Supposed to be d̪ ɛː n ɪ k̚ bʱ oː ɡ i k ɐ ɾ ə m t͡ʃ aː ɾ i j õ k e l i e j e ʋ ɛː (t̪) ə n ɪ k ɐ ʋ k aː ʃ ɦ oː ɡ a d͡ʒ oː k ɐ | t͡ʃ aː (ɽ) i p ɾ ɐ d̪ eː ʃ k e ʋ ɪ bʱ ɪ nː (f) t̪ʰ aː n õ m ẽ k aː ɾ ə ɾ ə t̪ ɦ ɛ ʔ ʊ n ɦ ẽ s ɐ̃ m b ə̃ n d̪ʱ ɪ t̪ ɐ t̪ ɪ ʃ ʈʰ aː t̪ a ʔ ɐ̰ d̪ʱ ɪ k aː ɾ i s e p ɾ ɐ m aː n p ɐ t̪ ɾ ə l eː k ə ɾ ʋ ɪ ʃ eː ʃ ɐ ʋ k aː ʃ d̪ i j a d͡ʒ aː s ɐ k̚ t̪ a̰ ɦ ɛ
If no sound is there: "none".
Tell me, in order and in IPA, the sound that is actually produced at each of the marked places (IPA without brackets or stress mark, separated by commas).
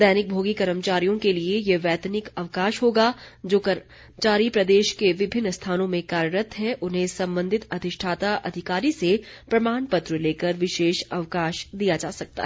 t̪, ɾ, s